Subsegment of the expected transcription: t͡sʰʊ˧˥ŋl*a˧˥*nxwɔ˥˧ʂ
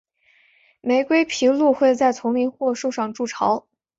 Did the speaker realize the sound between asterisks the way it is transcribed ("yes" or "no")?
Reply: no